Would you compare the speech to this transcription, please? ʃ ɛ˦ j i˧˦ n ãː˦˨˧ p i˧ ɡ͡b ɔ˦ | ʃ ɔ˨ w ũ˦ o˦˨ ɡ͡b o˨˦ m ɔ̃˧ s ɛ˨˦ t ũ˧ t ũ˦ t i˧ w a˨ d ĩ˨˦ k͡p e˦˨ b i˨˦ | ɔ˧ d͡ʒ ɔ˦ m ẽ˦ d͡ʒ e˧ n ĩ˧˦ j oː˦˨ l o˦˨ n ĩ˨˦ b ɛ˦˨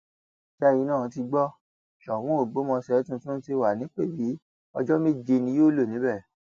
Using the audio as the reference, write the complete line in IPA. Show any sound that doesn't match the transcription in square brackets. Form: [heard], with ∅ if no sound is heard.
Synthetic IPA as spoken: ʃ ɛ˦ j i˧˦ n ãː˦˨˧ [t] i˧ ɡ͡b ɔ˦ | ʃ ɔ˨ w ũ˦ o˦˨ ɡ͡b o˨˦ m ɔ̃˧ s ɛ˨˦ t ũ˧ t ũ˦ t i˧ w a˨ [n] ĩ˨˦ k͡p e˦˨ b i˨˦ | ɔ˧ d͡ʒ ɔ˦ m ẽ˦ d͡ʒ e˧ n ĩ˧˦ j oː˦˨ l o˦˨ n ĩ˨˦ b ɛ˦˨